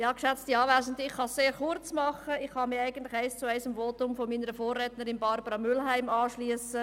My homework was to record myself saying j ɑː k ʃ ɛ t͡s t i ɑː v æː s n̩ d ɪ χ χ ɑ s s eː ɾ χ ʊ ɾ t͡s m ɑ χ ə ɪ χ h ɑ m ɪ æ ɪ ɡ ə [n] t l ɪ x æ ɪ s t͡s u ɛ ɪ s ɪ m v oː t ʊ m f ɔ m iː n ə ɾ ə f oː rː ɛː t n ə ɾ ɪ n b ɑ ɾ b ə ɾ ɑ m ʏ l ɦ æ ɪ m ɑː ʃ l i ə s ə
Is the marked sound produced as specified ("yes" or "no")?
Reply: yes